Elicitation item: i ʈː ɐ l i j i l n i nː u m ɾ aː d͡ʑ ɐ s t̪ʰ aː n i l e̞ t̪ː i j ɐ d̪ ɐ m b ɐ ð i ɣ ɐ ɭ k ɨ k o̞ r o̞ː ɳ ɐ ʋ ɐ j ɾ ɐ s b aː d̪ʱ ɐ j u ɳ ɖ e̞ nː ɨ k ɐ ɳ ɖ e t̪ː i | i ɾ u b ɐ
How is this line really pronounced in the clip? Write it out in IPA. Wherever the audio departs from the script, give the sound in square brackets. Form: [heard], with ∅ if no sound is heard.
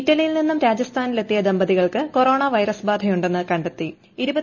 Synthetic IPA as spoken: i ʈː ɐ l i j i l n i nː u m ɾ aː d͡ʑ ɐ s t̪ʰ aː n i l e̞ t̪ː i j ɐ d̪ ɐ m b ɐ ð i ɣ ɐ ɭ k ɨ k o̞ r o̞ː ɳ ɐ ʋ ɐ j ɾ ɐ s b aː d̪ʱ ɐ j u ɳ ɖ e̞ nː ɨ k ɐ ɳ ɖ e t̪ː i | i ɾ u b ɐ